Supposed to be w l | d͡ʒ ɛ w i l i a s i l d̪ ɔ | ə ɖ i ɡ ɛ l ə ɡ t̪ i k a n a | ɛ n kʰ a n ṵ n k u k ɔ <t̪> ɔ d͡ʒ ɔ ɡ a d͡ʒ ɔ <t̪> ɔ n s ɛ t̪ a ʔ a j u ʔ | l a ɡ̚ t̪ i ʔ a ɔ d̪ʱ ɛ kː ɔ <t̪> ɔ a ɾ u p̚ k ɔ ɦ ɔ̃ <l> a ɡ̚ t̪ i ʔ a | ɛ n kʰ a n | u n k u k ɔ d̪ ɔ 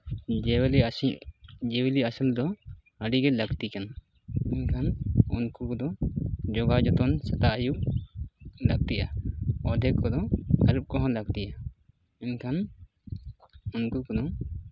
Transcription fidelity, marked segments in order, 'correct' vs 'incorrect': incorrect: d̪, correct, incorrect: d̪, correct

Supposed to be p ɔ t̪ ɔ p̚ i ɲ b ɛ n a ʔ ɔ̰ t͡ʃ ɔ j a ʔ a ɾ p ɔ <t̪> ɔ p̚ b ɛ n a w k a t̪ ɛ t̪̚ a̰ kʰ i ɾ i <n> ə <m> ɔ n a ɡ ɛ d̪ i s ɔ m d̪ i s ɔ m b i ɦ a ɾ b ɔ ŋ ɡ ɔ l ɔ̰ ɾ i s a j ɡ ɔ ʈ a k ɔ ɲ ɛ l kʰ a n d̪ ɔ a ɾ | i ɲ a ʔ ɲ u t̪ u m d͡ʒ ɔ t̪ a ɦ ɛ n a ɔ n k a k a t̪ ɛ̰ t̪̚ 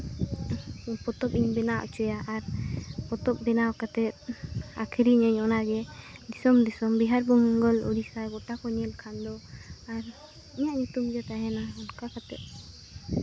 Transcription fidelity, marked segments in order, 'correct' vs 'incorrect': correct, incorrect: ɲ, incorrect: ɲ

